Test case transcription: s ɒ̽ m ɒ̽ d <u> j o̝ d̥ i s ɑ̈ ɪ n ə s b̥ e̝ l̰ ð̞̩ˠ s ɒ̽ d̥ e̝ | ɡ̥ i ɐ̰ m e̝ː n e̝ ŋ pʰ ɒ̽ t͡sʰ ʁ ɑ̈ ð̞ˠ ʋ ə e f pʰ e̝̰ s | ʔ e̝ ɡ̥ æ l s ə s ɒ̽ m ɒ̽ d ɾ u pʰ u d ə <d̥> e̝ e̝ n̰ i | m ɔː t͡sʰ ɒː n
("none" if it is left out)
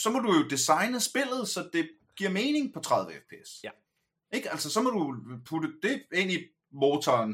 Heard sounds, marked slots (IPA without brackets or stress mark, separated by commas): u, d̥